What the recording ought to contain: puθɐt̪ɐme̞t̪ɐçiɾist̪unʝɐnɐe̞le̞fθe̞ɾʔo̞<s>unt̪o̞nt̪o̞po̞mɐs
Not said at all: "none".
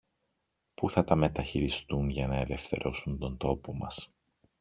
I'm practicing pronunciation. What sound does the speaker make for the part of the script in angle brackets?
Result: s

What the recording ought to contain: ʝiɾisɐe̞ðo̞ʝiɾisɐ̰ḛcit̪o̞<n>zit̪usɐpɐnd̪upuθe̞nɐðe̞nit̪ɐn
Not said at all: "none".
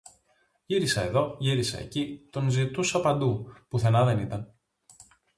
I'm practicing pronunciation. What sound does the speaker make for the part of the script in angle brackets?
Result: n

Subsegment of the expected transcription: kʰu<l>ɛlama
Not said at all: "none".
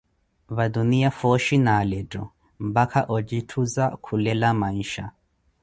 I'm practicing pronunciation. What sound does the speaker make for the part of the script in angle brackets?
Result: l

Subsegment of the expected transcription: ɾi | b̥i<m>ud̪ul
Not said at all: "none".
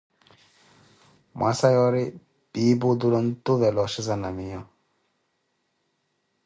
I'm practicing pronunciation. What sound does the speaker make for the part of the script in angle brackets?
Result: b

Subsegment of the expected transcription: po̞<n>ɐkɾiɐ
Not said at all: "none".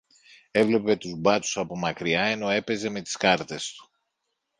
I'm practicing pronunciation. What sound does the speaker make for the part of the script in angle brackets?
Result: m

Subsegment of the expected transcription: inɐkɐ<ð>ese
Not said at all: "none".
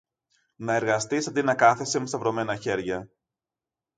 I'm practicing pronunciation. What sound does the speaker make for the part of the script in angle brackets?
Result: θ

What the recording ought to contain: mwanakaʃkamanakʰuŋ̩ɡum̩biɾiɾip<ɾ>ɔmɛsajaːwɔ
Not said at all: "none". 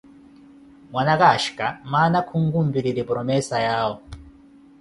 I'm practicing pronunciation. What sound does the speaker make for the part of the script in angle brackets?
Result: ɾ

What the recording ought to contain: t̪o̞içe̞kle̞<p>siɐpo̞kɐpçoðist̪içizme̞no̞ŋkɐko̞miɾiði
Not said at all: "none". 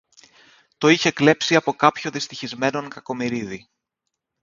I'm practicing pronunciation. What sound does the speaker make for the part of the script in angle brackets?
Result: p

